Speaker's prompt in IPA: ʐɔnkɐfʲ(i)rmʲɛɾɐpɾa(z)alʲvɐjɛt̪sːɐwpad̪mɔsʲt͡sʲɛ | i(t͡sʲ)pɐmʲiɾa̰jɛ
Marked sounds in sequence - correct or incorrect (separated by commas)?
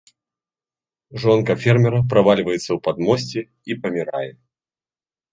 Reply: incorrect, incorrect, incorrect